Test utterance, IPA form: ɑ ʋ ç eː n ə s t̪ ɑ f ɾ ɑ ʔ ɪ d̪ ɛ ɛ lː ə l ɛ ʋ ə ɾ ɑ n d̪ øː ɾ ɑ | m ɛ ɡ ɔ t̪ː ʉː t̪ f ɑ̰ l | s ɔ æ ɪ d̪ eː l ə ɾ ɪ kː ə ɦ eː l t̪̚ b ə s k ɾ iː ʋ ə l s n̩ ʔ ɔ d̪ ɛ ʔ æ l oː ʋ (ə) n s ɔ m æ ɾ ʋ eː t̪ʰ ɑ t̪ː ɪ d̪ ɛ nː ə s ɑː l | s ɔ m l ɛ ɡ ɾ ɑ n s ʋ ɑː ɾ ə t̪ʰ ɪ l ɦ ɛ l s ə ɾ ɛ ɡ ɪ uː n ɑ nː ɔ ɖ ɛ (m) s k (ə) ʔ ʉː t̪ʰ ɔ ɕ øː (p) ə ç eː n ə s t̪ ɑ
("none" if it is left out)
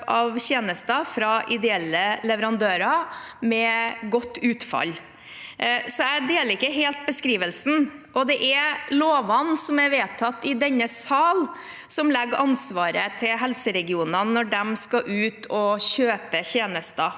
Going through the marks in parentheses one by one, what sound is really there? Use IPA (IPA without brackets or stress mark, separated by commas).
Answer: ɑ, m, ɑ, p